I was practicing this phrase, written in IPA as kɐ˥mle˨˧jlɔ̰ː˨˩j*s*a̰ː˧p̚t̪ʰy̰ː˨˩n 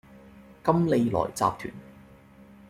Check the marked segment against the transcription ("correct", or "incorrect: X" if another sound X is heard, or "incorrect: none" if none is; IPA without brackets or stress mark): incorrect: t͡s